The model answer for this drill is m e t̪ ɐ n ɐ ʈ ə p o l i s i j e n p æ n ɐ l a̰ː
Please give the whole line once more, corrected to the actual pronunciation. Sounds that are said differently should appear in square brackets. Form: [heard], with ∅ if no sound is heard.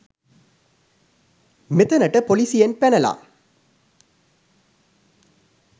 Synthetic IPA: m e t̪ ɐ n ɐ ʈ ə p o l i s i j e n p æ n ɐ l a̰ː